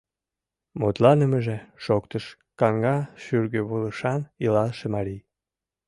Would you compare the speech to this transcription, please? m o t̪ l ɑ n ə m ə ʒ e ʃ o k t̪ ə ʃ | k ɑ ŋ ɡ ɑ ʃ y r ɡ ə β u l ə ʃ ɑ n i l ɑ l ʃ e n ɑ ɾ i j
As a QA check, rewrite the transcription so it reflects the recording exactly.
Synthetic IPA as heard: m o t̪ l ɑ n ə m ə ʒ e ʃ o k t̪ ə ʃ | k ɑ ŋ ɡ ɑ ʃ y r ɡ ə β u l ə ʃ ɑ n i l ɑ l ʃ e m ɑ ɾ i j